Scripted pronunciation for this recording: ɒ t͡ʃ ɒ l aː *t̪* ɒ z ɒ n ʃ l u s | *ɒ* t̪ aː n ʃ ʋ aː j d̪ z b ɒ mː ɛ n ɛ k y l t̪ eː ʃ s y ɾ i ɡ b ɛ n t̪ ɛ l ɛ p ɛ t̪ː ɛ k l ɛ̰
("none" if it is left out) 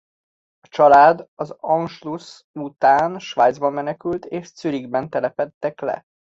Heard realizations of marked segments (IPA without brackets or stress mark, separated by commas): d̪, u